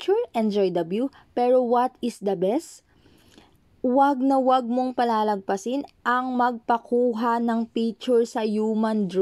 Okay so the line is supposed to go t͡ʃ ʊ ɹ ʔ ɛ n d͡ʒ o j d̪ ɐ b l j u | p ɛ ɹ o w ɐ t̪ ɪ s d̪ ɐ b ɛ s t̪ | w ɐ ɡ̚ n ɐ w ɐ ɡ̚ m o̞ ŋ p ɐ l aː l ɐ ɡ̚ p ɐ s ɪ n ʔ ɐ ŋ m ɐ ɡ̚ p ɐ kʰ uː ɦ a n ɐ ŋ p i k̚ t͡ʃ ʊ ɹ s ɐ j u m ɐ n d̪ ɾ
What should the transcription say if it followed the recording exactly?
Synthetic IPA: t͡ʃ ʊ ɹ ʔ ɛ n d͡ʒ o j d̪ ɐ b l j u | p ɛ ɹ o w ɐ t̪ ɪ s d̪ ɐ b ɛ s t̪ | w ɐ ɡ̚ n ɐ w ɐ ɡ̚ m o̞ ŋ p ɐ l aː l ɐ ɡ̚ p ɐ s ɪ n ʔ ɐ ŋ m ɐ ɡ̚ p ɐ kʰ uː ɦ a n ɐ ŋ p i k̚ t͡ʃ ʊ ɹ s ɐ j u m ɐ n d̪ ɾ